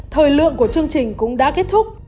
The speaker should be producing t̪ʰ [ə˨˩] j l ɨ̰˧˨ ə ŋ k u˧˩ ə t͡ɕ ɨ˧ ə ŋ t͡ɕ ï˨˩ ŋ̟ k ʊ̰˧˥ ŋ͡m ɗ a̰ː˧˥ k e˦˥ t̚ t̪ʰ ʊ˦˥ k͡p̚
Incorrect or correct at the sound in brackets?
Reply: incorrect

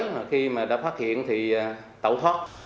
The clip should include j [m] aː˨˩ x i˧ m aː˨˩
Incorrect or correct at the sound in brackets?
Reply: correct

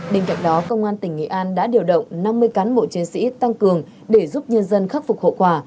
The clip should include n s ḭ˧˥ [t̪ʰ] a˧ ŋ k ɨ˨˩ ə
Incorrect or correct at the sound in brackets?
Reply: incorrect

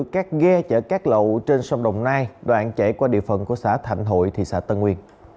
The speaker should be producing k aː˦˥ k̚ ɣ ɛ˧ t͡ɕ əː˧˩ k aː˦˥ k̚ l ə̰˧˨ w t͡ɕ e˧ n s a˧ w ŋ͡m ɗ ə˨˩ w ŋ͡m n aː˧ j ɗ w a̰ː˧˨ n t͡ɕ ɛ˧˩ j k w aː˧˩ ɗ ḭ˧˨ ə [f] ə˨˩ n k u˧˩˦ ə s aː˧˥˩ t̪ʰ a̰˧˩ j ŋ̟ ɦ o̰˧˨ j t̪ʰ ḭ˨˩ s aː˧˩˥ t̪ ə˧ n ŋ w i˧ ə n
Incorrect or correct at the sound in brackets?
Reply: correct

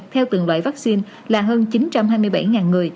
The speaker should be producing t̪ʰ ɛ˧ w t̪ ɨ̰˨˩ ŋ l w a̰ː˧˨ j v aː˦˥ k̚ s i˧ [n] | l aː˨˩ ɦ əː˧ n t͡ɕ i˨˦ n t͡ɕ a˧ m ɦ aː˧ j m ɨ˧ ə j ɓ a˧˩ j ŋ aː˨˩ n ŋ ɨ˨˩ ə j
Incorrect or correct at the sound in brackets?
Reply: correct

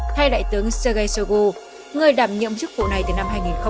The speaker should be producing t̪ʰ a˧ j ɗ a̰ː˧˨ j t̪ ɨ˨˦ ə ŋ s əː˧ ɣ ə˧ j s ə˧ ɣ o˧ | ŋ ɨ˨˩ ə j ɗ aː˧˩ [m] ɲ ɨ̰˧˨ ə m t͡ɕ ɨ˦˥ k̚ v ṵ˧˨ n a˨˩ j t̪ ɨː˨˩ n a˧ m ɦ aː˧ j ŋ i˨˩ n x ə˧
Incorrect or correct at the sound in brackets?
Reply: correct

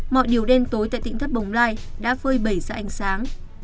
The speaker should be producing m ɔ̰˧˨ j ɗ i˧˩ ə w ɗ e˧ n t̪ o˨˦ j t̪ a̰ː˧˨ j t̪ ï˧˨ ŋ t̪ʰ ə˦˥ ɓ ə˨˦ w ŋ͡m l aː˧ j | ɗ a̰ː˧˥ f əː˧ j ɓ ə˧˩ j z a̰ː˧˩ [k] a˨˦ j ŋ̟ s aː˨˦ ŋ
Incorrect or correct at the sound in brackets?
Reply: incorrect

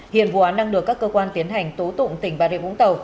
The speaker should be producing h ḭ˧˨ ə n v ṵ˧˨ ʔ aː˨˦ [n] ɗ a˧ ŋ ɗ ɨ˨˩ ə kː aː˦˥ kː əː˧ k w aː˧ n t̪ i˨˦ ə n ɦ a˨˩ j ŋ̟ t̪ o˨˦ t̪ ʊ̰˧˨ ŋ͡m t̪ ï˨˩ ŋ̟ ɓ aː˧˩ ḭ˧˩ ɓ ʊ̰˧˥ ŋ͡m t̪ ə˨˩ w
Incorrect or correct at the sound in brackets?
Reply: correct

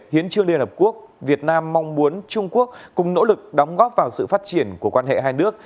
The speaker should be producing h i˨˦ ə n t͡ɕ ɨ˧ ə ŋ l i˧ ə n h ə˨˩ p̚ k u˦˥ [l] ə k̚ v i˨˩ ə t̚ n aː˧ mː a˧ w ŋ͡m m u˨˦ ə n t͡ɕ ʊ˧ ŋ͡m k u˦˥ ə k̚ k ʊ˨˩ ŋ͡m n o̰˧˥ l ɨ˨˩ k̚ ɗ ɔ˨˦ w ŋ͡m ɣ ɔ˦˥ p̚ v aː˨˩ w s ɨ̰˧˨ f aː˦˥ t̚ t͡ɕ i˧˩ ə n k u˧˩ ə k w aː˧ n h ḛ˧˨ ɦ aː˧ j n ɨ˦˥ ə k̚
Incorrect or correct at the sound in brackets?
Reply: incorrect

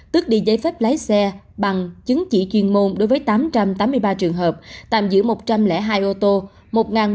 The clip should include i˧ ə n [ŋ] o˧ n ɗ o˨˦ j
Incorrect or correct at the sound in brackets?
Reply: incorrect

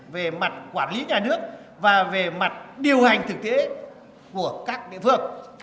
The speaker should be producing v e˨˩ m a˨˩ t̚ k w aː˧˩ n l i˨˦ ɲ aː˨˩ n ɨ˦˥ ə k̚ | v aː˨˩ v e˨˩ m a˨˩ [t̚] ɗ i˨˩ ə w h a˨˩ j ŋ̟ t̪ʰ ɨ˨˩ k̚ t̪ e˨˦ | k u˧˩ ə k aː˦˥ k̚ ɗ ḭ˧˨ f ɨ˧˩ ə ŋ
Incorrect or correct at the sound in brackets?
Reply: correct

